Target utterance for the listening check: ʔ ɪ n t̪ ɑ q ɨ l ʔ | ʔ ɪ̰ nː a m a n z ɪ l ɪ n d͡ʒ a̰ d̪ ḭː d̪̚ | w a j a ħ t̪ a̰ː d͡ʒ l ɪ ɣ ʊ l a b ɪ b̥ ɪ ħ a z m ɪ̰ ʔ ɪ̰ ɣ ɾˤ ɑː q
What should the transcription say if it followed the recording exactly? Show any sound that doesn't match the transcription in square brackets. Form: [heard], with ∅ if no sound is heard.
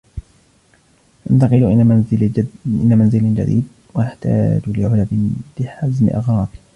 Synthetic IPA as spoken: ʔ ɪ n t̪ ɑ q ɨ l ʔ | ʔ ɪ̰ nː a m a n z ɪ l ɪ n d͡ʒ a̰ d̪ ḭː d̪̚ | w a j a ħ t̪ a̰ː d͡ʒ l ɪ [ʕ] ʊ l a b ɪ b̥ ɪ ħ a z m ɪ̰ ʔ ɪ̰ ɣ ɾˤ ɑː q